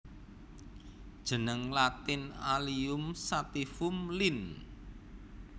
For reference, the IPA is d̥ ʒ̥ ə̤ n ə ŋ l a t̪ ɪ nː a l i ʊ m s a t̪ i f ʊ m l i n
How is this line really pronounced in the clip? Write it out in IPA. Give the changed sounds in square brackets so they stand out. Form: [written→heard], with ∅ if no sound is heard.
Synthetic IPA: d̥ ʒ̥ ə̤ n ə ŋ l a t̪ ɪ [nː→n] a l i ʊ m s a t̪ i f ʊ m l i n